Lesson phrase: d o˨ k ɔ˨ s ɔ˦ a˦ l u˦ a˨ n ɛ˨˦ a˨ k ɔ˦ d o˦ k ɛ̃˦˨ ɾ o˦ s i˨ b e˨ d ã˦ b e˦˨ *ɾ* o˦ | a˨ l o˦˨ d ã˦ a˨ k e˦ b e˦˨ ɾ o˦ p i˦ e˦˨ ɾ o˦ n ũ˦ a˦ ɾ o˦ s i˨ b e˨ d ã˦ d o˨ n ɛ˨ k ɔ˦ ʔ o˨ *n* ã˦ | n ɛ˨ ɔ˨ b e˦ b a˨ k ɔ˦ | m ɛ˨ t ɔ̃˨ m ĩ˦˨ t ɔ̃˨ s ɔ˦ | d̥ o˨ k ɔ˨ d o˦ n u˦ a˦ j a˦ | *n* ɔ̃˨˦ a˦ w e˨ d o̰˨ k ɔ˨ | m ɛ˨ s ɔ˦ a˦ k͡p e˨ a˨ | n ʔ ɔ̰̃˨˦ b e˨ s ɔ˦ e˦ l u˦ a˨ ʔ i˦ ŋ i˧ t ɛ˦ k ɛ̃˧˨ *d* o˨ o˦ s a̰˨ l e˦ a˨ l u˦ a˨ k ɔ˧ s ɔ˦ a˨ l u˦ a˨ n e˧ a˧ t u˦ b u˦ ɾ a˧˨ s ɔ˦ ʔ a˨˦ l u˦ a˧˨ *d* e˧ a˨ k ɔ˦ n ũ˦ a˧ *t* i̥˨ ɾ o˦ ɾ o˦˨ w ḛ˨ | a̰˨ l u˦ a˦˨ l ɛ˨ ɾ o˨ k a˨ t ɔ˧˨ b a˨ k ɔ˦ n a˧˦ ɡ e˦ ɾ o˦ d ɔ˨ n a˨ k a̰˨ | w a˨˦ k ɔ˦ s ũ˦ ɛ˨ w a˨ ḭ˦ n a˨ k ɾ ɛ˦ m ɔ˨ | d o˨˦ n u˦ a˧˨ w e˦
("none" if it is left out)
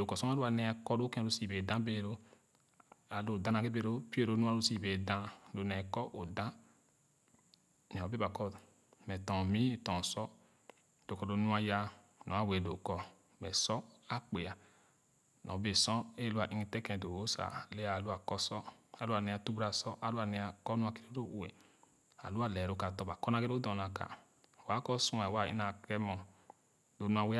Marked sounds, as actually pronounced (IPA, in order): ɾ, d, n, d, n, k

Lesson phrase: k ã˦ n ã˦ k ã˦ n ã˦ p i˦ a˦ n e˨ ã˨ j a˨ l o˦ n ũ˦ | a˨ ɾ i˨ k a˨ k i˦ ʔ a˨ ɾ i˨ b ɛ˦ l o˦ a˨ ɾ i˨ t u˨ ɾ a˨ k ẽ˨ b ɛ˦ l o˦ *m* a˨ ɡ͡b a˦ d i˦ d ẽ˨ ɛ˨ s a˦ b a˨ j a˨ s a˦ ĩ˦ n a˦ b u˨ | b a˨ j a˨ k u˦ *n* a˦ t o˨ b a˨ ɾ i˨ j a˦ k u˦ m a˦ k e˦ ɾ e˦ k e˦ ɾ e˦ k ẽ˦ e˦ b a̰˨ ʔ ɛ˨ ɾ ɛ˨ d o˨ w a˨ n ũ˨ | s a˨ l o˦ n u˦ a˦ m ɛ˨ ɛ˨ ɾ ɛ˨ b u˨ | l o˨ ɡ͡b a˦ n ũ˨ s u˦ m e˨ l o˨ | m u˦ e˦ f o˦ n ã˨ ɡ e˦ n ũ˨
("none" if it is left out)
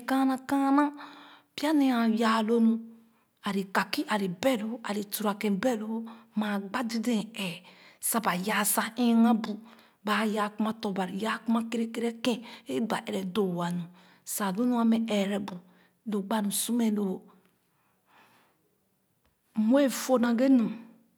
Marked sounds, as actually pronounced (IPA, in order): m, m

